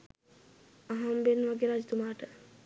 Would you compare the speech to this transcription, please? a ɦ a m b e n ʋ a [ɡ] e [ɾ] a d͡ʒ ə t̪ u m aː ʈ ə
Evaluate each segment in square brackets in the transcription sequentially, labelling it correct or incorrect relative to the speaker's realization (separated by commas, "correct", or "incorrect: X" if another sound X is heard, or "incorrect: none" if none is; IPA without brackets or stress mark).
correct, correct